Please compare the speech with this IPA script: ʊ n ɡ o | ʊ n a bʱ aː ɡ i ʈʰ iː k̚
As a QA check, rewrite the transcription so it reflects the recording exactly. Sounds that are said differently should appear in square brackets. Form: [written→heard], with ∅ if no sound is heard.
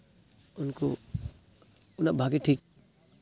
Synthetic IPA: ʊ n [ɡ→k] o | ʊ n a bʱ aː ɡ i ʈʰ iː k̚